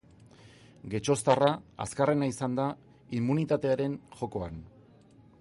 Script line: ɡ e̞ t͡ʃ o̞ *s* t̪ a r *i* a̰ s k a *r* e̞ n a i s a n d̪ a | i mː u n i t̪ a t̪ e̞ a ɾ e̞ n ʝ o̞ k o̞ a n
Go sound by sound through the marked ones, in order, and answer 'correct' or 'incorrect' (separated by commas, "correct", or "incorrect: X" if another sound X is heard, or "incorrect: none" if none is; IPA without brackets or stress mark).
correct, incorrect: a, correct